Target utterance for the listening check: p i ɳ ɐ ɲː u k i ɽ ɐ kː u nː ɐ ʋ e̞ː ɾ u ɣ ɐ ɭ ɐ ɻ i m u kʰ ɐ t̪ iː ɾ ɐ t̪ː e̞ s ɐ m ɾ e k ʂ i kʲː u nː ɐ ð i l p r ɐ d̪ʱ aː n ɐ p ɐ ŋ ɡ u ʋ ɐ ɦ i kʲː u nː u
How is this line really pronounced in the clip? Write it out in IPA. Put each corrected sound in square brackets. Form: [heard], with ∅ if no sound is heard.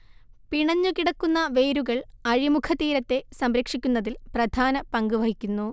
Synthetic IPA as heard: p i ɳ ɐ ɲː u k i ɽ ɐ kː u nː ɐ ʋ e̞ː ɾ u ɣ ɐ ɭ ɐ ɻ i m u kʰ ɐ t̪ iː ɾ ɐ t̪ː e̞ s ɐ m ɾ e k ʂ i kʲː u nː ɐ ð i l p r ɐ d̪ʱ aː n ɐ p ɐ ŋ ɡ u ʋ ɐ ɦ i kʲː u nː u

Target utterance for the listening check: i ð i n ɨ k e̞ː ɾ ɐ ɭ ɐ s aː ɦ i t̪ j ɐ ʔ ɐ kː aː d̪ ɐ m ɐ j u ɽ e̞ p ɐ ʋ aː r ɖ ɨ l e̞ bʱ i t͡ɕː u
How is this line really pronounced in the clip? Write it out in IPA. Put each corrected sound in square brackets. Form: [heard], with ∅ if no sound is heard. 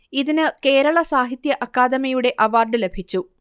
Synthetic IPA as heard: i ð i n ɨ k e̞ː ɾ ɐ ɭ ɐ s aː ɦ i t̪ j ɐ ʔ ɐ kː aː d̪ ɐ m ɐ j u ɽ e̞ [ʔ] ɐ ʋ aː r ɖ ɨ l e̞ bʱ i t͡ɕː u

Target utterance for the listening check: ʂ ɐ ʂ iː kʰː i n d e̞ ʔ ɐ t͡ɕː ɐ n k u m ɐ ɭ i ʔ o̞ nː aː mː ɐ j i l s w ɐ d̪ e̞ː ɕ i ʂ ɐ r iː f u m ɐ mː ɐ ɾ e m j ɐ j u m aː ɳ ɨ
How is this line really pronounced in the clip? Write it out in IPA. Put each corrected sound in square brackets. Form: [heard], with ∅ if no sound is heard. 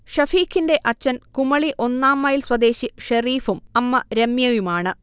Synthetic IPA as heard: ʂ ɐ [f] iː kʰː i n d e̞ ʔ ɐ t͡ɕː ɐ n k u m ɐ ɭ i ʔ o̞ nː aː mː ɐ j i l s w ɐ d̪ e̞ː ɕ i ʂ ɐ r iː f u m ɐ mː ɐ ɾ e m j ɐ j u m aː ɳ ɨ

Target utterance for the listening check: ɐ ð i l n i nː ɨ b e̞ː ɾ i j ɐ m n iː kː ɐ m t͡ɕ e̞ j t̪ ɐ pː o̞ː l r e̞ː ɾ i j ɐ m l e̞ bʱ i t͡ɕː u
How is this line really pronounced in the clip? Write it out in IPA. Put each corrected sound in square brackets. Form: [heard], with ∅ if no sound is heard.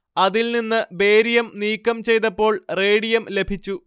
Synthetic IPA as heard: ɐ ð i l n i nː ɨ b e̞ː ɾ i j ɐ m n iː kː ɐ m t͡ɕ e̞ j t̪ ɐ pː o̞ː [ɭ] r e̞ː [ɽ] i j ɐ m l e̞ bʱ i t͡ɕː u

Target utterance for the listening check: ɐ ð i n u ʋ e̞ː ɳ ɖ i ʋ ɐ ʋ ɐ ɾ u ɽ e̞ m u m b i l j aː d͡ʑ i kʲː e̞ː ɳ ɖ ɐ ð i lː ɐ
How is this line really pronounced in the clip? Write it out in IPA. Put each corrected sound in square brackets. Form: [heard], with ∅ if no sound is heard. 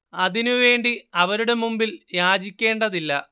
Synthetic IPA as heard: ɐ ð i n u ʋ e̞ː ɳ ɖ i [∅] ɐ ʋ ɐ ɾ u ɽ e̞ m u m b i l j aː d͡ʑ i kʲː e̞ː ɳ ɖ ɐ ð i lː ɐ

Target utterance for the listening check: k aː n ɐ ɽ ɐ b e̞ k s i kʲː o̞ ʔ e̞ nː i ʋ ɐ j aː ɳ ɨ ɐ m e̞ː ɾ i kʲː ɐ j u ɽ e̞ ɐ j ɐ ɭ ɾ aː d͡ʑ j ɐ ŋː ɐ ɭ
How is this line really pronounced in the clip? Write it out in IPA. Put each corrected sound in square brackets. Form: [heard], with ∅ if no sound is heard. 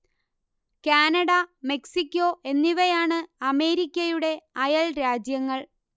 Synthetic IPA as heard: k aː n ɐ ɽ ɐ [m] e̞ k s i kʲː o̞ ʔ e̞ nː i ʋ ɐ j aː ɳ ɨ ɐ m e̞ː ɾ i kʲː ɐ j u ɽ e̞ ɐ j ɐ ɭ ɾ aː d͡ʑ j ɐ ŋː ɐ ɭ

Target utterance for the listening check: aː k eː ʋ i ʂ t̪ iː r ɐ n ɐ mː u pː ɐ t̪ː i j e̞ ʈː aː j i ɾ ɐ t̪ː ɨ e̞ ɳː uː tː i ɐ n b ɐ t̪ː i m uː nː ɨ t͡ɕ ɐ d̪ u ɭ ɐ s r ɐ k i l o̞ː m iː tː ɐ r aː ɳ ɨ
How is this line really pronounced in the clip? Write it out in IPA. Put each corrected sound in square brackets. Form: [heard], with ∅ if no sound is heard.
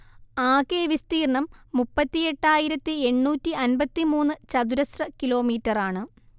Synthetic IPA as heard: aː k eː ʋ i [s] t̪ iː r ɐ [ɳ] ɐ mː u pː ɐ t̪ː i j e̞ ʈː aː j i ɾ ɐ t̪ː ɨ e̞ ɳː uː tː i ɐ n b ɐ t̪ː i m uː nː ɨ t͡ɕ ɐ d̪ u [ɾ] ɐ s r ɐ k i l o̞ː m iː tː ɐ r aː ɳ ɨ

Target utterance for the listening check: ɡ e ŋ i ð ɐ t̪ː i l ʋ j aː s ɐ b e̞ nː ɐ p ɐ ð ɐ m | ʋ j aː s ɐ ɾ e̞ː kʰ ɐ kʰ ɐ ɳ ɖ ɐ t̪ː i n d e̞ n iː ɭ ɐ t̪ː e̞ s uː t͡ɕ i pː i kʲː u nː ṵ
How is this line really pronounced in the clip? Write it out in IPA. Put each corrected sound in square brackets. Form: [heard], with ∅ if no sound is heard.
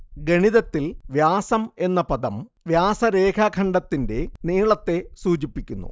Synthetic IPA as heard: ɡ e [ɳ] i ð ɐ t̪ː i l ʋ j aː s ɐ [m] e̞ nː ɐ p ɐ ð ɐ m | ʋ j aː s ɐ ɾ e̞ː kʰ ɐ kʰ ɐ ɳ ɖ ɐ t̪ː i n d e̞ n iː ɭ ɐ t̪ː e̞ s uː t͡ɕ i pː i kʲː u nː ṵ

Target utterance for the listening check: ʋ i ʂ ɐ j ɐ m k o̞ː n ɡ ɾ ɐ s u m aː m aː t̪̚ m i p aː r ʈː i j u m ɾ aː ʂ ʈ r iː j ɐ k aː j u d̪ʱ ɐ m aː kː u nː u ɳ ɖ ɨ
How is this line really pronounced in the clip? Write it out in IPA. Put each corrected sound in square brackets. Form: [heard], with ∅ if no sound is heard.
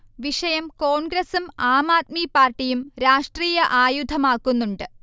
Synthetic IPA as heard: ʋ i ʂ ɐ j ɐ m k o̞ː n ɡ ɾ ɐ s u m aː m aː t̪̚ m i p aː r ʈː i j u m ɾ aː ʂ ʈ r iː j ɐ [ʔ] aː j u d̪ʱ ɐ m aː kː u nː u ɳ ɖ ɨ

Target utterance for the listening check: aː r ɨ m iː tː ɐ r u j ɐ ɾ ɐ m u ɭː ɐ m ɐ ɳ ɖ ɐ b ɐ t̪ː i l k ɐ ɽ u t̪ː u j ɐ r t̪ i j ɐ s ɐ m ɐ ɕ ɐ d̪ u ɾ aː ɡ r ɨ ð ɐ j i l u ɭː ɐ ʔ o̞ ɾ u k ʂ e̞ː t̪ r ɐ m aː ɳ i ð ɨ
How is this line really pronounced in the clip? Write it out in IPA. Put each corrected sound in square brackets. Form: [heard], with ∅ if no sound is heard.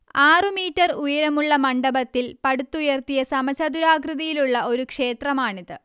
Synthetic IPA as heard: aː r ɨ m iː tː ɐ r u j ɐ ɾ ɐ m u ɭː ɐ m ɐ ɳ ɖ ɐ b ɐ t̪ː i l [p] ɐ ɽ u t̪ː u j ɐ r t̪ i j ɐ s ɐ m ɐ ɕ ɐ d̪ u ɾ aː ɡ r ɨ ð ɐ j i l u ɭː ɐ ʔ o̞ ɾ u k ʂ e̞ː t̪ r ɐ m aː ɳ i ð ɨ

